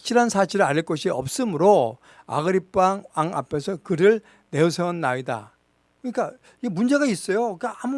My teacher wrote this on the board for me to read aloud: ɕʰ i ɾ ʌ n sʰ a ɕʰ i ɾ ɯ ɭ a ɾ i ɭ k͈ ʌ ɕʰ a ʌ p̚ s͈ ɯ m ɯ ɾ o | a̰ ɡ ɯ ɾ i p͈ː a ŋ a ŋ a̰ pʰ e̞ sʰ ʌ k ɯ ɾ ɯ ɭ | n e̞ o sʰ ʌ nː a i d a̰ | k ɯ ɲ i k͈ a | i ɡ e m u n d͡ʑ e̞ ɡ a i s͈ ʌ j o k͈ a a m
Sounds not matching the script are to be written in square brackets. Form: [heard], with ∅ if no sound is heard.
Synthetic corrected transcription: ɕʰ i ɾ [a] n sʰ a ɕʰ i ɾ ɯ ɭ a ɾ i ɭ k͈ ʌ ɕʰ [i] ʌ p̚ s͈ ɯ m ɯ ɾ o | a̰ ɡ ɯ ɾ i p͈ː a ŋ a ŋ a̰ pʰ e̞ sʰ ʌ k ɯ ɾ ɯ ɭ | n e̞ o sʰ ʌ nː a i d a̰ | k ɯ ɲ i k͈ a | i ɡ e m u n d͡ʑ e̞ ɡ a i s͈ ʌ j o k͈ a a m